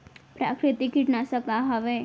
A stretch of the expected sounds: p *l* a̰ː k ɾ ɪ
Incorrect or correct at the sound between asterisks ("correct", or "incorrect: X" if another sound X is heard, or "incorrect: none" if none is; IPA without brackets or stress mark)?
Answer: incorrect: ɾ